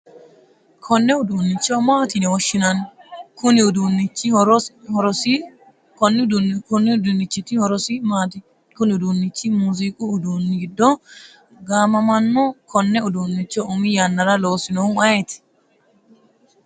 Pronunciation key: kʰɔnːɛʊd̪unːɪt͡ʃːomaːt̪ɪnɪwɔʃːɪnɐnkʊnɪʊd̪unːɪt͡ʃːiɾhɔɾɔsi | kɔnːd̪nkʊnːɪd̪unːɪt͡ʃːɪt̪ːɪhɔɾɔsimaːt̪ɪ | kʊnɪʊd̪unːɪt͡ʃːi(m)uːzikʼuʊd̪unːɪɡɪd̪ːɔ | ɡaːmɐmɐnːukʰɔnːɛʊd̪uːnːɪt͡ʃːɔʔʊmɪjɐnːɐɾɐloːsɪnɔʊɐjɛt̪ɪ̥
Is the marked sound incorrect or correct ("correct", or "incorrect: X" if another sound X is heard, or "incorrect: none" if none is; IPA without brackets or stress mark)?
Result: correct